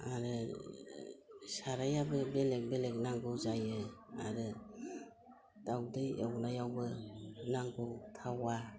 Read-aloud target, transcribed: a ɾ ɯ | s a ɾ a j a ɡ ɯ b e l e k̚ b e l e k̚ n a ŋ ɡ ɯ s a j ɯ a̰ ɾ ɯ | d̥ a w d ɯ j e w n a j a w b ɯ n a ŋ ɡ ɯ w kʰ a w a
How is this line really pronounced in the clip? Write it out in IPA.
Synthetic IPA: a ɾ ɯ | s a ɾ a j a b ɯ b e l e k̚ b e l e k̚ n a ŋ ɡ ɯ z a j ɯ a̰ ɾ ɯ | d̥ a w d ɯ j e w n a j a w b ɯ n a ŋ ɡ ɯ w tʰ a w a